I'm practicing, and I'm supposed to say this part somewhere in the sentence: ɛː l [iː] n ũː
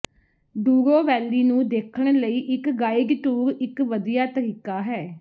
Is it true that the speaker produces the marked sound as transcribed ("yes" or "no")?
yes